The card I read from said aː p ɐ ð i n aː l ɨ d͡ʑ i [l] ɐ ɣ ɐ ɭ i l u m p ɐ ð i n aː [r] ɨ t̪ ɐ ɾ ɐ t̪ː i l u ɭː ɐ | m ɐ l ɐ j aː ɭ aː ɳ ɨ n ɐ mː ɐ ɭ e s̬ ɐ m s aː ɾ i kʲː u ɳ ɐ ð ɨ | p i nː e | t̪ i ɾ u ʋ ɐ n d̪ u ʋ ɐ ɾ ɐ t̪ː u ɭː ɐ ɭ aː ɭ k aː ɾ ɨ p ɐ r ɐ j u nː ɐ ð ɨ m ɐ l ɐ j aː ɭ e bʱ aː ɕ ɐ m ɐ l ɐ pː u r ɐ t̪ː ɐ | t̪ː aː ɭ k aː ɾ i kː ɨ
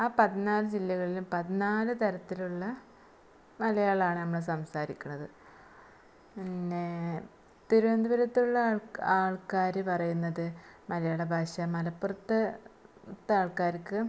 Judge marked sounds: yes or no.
no, no

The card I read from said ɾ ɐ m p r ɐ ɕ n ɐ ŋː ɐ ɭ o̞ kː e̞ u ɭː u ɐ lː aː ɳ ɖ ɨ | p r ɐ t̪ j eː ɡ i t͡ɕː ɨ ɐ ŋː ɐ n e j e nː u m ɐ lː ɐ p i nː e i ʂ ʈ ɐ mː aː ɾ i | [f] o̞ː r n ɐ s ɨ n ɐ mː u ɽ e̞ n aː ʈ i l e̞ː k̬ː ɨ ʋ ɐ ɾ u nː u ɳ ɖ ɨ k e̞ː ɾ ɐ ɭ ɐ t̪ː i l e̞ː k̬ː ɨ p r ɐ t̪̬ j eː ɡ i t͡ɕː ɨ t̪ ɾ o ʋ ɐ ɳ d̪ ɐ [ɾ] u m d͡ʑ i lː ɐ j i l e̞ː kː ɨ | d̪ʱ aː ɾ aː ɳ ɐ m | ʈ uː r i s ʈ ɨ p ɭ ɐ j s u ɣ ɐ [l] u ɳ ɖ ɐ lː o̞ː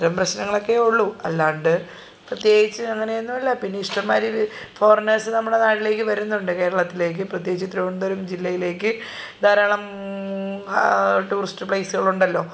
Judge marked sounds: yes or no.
yes, yes, no

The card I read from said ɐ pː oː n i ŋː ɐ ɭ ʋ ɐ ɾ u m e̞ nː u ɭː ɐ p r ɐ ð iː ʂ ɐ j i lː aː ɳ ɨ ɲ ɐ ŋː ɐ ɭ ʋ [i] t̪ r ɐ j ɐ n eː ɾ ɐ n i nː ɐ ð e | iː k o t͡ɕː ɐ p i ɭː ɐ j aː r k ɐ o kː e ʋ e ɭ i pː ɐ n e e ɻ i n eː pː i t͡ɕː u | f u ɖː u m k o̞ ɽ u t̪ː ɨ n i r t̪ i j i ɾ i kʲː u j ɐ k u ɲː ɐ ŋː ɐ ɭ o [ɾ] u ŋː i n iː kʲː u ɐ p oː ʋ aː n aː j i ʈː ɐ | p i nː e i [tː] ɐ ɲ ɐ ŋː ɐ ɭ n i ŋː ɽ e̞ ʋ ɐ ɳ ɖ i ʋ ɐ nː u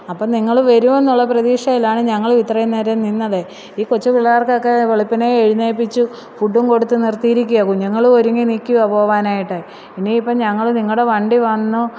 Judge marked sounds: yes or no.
yes, yes, no

